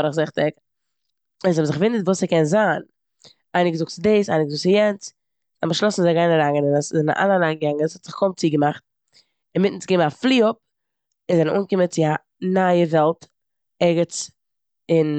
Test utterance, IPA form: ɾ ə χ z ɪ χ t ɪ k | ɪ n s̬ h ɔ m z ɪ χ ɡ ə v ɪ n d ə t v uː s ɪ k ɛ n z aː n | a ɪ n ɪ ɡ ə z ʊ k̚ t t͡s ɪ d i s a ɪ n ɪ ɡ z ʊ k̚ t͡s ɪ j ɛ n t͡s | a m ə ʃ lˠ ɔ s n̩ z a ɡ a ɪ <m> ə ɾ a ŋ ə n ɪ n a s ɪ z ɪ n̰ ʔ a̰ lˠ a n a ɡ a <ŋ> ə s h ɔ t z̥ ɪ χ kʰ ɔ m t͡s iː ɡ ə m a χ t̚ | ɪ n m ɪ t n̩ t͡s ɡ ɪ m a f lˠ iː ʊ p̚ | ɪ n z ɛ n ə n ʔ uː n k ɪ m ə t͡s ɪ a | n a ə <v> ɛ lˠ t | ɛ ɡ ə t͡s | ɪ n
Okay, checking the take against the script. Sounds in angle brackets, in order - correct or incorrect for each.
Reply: incorrect: n, correct, correct

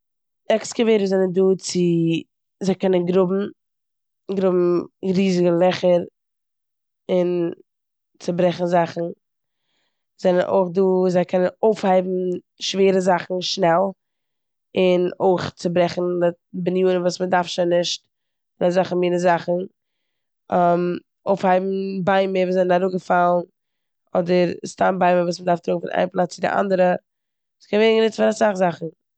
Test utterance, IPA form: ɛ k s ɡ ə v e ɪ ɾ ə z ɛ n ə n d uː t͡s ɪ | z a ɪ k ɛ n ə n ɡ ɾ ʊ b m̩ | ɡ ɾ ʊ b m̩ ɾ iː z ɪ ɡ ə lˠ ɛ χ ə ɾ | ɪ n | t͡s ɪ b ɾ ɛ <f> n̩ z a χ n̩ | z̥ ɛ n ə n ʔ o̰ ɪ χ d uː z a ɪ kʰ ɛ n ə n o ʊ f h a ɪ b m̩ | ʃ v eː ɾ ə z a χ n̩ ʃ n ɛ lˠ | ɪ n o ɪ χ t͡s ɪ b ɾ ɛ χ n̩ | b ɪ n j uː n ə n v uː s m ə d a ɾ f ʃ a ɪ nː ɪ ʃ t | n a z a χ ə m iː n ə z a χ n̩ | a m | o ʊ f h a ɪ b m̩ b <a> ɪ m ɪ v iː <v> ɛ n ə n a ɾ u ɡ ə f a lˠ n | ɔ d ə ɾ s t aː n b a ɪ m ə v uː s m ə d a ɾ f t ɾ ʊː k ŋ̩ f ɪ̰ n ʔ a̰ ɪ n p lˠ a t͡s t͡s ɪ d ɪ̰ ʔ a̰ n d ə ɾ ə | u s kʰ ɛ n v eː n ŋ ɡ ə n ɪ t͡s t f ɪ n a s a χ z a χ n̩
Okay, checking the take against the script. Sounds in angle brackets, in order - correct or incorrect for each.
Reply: incorrect: χ, correct, incorrect: z

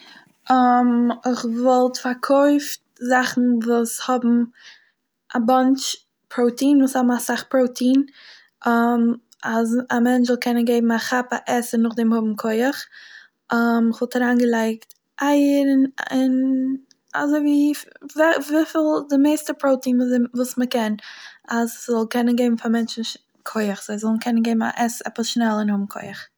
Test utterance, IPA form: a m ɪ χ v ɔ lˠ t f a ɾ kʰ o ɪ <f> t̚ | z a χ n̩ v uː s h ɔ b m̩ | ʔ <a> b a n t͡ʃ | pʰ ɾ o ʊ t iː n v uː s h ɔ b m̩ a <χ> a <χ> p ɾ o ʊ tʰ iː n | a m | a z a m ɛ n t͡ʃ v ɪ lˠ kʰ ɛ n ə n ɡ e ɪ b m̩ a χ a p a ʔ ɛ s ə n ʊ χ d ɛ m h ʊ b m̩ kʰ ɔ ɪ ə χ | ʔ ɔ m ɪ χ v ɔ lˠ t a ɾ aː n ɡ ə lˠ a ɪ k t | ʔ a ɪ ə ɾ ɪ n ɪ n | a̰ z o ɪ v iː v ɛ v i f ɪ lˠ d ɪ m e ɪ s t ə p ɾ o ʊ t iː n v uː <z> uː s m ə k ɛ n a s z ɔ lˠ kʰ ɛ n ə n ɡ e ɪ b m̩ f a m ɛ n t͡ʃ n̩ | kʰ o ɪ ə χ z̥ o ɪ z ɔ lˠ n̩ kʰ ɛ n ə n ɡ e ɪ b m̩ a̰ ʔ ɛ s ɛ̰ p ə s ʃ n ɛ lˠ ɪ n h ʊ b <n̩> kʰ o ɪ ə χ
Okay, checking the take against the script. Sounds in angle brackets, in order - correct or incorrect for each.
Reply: correct, correct, incorrect: s, correct, incorrect: v, incorrect: m̩

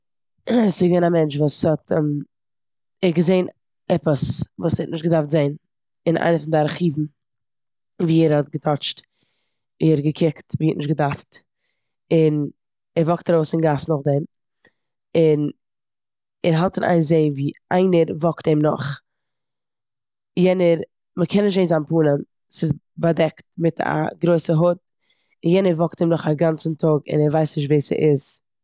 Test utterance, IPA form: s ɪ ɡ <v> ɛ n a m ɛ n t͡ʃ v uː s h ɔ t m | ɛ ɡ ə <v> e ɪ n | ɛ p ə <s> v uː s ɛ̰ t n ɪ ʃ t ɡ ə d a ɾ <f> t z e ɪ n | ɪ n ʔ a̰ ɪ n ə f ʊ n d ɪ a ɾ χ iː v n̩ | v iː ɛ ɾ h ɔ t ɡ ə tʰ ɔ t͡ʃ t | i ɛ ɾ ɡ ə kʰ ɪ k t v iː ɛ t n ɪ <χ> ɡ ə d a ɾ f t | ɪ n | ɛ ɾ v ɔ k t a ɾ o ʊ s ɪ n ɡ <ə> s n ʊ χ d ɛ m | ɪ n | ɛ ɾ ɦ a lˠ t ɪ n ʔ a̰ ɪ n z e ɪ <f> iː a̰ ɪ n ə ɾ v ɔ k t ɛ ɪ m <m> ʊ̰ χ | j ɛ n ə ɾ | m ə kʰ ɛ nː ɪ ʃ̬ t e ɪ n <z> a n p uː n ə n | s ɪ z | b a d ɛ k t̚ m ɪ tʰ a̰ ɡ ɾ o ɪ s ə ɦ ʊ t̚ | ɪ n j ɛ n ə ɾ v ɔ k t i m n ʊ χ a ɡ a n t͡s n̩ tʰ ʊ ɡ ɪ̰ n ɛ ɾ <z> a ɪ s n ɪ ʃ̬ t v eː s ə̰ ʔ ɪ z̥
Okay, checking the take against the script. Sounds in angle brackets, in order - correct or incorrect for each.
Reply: correct, incorrect: z, correct, correct, incorrect: ʃ, incorrect: a, incorrect: v, incorrect: n, correct, incorrect: v

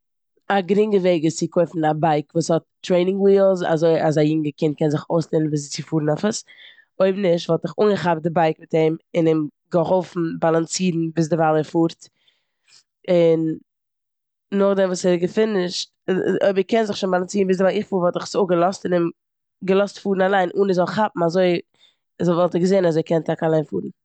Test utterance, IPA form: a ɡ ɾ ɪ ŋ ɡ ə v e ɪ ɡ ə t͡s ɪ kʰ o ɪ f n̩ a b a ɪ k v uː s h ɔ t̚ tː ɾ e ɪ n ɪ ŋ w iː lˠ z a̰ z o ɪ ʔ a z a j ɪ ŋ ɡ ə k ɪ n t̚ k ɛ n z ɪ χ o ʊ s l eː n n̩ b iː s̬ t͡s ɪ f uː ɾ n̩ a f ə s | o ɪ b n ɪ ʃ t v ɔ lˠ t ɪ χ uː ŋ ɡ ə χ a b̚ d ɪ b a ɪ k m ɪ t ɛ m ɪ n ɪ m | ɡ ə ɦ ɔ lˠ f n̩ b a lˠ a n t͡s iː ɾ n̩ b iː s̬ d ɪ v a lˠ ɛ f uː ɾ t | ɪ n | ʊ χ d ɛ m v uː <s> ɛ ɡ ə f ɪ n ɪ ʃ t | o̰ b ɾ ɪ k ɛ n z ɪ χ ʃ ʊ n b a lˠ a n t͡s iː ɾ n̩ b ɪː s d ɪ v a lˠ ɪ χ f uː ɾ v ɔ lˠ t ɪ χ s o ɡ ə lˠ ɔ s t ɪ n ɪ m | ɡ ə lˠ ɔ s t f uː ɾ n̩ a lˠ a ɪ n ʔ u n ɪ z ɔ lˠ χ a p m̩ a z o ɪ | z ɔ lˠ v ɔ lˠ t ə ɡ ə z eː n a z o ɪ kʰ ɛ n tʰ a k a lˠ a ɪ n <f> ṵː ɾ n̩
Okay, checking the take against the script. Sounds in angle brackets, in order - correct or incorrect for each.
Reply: correct, correct

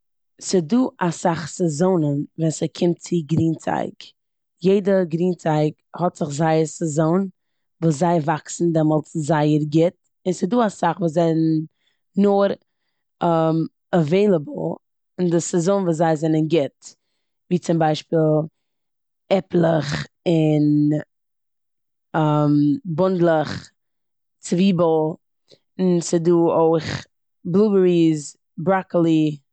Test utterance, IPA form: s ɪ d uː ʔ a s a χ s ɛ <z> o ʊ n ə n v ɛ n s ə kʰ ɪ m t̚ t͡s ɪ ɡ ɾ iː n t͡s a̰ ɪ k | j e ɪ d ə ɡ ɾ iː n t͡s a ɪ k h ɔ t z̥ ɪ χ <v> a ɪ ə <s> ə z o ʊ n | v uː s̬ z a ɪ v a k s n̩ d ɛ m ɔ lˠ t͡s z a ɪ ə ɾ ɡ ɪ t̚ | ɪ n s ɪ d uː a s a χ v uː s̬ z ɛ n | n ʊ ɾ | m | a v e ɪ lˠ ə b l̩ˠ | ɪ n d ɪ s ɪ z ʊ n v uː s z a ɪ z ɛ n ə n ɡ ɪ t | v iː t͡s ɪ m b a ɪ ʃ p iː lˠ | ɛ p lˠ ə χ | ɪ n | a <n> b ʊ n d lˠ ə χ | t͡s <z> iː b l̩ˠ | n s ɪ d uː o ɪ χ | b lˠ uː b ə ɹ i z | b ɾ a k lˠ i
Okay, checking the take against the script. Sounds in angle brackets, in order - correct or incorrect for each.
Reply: correct, incorrect: z, correct, incorrect: m, incorrect: v

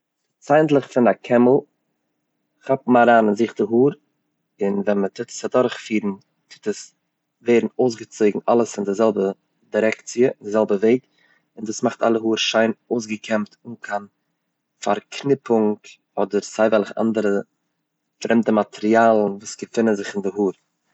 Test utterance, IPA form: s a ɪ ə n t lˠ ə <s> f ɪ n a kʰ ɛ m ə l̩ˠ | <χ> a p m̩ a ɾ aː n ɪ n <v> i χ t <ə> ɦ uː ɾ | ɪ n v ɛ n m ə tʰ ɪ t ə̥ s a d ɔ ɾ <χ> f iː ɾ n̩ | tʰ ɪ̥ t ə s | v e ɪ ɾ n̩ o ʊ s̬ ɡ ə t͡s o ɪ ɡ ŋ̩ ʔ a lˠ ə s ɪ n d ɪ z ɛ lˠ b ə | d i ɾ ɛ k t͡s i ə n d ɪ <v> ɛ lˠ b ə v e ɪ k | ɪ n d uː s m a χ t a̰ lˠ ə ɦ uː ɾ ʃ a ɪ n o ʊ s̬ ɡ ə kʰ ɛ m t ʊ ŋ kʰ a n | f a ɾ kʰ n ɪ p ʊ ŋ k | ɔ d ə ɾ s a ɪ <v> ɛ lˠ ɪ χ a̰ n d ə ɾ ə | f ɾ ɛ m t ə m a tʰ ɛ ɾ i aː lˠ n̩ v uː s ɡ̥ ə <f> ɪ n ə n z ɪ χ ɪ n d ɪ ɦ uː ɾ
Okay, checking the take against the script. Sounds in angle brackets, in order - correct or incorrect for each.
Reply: incorrect: χ, correct, incorrect: z, correct, correct, incorrect: z, correct, correct

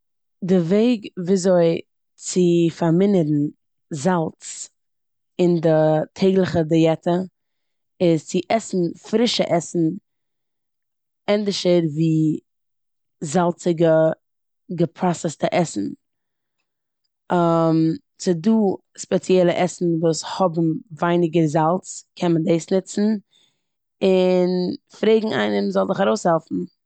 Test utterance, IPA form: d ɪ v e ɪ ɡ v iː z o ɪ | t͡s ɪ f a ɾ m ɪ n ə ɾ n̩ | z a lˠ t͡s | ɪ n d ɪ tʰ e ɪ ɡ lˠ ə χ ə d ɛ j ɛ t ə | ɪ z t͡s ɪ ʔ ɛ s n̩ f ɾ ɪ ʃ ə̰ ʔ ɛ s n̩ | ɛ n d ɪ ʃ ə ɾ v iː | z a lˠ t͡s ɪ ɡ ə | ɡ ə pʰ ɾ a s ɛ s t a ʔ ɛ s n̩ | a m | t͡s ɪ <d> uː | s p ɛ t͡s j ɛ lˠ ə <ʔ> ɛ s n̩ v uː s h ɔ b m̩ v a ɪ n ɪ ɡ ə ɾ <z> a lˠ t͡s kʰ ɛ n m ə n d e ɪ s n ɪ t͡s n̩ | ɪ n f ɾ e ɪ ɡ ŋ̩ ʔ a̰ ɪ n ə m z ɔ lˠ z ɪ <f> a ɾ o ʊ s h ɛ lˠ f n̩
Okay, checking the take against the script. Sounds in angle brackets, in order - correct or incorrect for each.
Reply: correct, correct, correct, incorrect: χ

